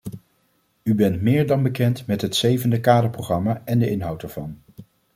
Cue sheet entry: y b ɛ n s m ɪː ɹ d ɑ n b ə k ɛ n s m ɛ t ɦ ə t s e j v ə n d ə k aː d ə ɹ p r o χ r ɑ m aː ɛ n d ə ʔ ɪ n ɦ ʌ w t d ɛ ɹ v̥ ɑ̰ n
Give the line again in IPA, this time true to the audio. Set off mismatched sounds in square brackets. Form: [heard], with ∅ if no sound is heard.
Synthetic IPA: y b ɛ n [t] m ɪː ɹ d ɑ n b ə k ɛ n [t] m ɛ t ɦ ə t s e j v ə n d ə k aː d ə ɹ p r o χ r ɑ m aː ɛ n d ə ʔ ɪ n ɦ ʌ w t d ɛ ɹ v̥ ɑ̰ n

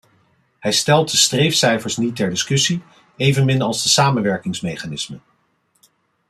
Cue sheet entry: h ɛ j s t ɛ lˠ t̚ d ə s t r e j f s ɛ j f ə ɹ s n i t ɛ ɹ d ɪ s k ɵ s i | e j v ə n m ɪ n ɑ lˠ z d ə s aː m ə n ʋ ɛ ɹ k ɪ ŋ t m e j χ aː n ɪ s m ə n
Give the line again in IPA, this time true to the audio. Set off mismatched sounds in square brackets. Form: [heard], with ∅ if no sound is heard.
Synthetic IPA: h ɛ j s t ɛ lˠ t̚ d ə s t r e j f s ɛ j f ə ɹ s n i t ɛ ɹ d ɪ s k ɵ s i | e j v ə n m ɪ n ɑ lˠ z d ə s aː m ə n ʋ ɛ ɹ k ɪ ŋ [s] m e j χ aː n ɪ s m ə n

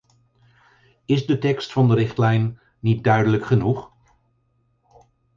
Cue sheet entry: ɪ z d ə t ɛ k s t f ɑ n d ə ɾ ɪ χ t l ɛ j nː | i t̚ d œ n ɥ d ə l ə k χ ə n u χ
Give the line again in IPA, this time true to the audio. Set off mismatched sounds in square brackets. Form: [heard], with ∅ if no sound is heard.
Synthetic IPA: ɪ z d ə t ɛ k s t f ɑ n d ə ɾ ɪ χ t l ɛ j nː | i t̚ d œ [∅] ɥ d ə l ə k χ ə n u χ

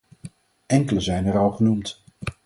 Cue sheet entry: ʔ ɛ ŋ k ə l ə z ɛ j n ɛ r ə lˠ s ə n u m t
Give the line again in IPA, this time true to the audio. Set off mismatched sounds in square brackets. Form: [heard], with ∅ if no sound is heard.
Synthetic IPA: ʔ ɛ ŋ k ə l ə z ɛ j n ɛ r [ɑ] lˠ [χ] ə n u m t

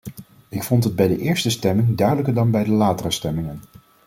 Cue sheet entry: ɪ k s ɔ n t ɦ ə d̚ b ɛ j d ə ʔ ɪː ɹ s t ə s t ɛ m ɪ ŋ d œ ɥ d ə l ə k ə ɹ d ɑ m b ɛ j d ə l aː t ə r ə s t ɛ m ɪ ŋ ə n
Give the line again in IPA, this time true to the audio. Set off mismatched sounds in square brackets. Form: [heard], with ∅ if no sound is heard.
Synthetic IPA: ɪ k [f] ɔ n t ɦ ə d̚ b ɛ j d ə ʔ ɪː ɹ s t ə s t ɛ m ɪ ŋ d œ ɥ d ə l ə k ə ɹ d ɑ [n] b ɛ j d ə l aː t ə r ə s t ɛ m ɪ ŋ ə n

